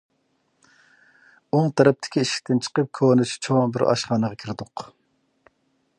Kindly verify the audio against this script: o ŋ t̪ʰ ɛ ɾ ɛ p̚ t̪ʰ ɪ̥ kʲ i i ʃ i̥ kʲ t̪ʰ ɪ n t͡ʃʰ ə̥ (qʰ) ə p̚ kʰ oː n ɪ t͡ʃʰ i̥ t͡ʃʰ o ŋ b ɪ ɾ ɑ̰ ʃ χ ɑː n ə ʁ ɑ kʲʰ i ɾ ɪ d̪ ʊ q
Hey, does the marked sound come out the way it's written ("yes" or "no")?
no